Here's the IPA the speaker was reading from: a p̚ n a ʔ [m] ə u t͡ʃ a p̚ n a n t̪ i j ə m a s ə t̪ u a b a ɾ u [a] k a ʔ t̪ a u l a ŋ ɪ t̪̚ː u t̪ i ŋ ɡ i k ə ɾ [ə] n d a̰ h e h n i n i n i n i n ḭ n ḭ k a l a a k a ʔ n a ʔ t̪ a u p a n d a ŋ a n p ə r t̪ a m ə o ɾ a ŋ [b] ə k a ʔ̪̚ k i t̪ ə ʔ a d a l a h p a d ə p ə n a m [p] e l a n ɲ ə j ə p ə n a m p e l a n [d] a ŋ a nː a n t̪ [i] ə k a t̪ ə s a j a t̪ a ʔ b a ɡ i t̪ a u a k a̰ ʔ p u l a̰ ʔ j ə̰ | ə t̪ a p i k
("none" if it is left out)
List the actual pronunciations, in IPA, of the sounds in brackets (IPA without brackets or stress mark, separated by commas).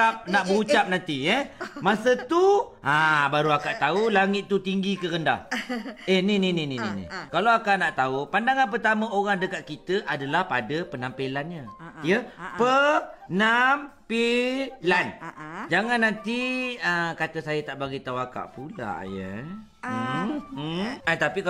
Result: b, a, ə, d, p, d͡ʒ, i